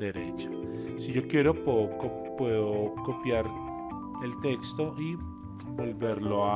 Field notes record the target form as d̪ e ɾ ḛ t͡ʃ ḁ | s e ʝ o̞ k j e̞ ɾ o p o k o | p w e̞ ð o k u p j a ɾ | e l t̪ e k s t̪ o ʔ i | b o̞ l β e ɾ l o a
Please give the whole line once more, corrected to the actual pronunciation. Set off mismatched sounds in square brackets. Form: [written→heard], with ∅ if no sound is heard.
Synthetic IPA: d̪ e ɾ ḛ t͡ʃ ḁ | s [e→i] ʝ o̞ k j e̞ ɾ o p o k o | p w e̞ ð o k [u→o] p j a ɾ | e l t̪ e k s t̪ o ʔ i | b o̞ l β e ɾ l o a